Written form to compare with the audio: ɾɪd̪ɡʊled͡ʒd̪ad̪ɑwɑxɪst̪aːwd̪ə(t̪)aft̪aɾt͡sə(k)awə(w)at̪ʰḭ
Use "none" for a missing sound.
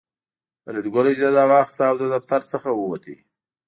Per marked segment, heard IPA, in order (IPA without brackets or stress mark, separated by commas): d̪, x, w